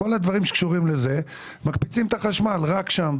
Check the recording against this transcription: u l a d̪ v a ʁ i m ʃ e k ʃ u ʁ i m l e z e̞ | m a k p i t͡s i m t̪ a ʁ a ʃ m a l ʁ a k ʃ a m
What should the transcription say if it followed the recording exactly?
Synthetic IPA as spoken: o l a d̪ v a ʁ i m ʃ e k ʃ u ʁ i m l e z e̞ | m a k p i t͡s i m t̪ a χ a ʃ m a l ʁ a k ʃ a m